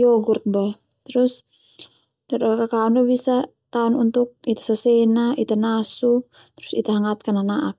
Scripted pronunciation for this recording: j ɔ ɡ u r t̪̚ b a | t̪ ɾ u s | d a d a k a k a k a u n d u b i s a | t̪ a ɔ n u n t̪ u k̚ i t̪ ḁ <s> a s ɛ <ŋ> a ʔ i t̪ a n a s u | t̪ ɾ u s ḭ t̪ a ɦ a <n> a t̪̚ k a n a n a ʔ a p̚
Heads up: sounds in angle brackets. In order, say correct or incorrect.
correct, incorrect: n, incorrect: ŋ

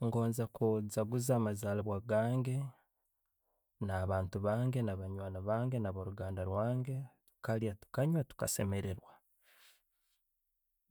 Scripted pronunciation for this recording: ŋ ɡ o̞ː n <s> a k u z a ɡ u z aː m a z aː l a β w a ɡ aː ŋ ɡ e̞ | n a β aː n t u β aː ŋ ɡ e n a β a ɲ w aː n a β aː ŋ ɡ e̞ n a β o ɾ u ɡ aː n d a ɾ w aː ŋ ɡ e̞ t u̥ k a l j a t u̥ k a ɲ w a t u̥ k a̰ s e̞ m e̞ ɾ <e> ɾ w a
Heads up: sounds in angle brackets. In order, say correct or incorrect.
incorrect: z, correct

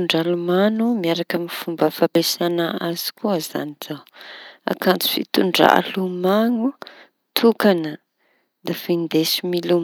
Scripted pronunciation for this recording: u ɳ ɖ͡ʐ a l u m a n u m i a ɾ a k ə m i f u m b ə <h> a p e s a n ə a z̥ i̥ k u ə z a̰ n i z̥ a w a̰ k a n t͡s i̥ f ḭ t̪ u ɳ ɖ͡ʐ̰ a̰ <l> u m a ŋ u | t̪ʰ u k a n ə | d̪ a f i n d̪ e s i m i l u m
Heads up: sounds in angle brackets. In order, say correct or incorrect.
incorrect: f, correct

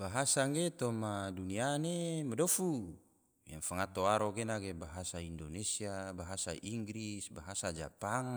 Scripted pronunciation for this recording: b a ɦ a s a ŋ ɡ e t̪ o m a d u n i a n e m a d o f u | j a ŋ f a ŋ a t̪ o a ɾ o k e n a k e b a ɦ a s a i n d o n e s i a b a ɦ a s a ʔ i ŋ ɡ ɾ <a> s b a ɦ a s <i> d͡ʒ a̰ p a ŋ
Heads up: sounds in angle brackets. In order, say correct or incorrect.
incorrect: i, incorrect: a

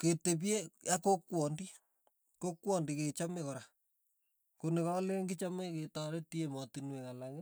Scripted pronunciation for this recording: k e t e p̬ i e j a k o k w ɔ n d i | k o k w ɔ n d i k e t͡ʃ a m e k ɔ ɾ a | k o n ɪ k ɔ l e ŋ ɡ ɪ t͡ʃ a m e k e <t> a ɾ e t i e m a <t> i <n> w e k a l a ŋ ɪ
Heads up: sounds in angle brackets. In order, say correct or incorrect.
correct, correct, correct

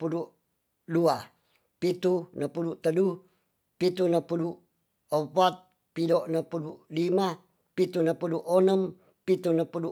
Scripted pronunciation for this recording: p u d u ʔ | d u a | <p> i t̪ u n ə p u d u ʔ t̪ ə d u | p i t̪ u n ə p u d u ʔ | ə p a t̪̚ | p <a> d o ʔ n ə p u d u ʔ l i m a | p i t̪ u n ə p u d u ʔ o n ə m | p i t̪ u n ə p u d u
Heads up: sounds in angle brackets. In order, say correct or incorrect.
correct, incorrect: i

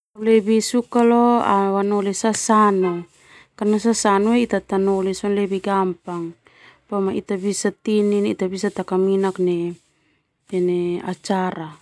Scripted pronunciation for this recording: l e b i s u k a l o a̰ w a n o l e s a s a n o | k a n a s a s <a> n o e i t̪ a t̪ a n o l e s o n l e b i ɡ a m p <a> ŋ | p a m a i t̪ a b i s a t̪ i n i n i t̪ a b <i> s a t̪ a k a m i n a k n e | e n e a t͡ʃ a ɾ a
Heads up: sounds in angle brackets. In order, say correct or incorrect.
correct, correct, correct

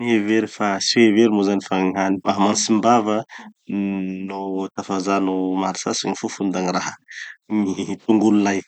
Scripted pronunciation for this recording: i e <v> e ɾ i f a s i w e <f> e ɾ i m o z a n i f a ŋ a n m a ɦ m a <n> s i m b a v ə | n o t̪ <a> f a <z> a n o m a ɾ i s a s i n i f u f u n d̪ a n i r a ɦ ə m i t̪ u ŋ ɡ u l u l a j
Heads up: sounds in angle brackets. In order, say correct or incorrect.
correct, incorrect: v, correct, correct, correct

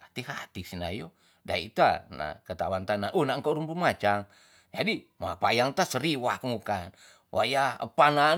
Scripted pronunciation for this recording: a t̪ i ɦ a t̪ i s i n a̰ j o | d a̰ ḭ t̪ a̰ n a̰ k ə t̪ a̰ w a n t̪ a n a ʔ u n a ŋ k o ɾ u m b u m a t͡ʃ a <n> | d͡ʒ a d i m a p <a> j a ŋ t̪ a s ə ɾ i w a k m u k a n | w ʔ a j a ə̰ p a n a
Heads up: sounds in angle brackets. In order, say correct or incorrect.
incorrect: ŋ, correct

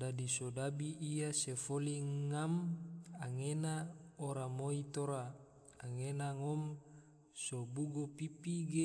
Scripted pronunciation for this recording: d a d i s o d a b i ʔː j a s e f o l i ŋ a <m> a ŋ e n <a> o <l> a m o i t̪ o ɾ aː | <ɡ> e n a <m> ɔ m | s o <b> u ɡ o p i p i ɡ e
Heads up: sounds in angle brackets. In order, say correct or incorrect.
correct, correct, incorrect: ɾ, incorrect: ŋ, incorrect: ŋ, correct

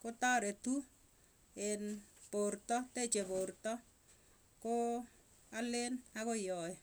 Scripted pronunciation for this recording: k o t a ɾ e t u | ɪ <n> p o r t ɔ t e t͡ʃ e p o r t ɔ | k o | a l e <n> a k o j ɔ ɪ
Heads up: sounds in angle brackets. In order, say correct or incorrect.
correct, correct

